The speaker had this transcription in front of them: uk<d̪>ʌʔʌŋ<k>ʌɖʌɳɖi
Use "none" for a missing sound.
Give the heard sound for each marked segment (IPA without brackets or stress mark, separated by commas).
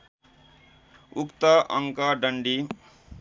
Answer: t̪, k